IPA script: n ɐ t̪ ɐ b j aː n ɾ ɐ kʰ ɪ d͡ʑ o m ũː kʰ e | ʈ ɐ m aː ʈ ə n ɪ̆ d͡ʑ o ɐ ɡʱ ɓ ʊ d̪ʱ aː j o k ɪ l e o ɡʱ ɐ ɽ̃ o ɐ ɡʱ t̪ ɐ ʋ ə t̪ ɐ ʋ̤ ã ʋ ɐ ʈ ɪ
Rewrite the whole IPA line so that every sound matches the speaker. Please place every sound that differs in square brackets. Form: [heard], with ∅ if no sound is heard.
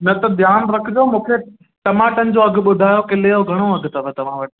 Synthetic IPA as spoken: n ɐ t̪ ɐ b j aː n ɾ ɐ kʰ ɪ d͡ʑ o m ũː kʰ e | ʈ ɐ m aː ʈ ə n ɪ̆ d͡ʑ o ɐ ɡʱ ɓ ʊ d̪ʱ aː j o k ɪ l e o ɡʱ ɐ ɽ̃ o ɐ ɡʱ t̪ ɐ ʋ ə t̪ ɐ ʋ̤ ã ʋ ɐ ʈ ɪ